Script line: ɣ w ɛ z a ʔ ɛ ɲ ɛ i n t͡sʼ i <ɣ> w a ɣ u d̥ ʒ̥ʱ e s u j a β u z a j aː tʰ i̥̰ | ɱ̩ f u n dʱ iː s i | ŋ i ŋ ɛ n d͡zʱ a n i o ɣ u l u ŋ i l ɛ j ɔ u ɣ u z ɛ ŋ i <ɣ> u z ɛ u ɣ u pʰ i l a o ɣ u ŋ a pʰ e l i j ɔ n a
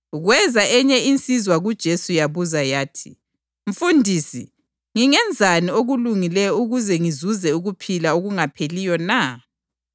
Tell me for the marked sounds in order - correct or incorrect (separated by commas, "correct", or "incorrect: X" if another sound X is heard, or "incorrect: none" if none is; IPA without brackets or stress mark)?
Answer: incorrect: z, incorrect: z